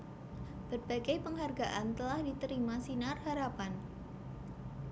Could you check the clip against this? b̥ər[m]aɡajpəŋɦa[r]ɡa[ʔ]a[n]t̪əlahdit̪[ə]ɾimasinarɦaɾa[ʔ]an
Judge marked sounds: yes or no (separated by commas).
no, yes, yes, yes, yes, no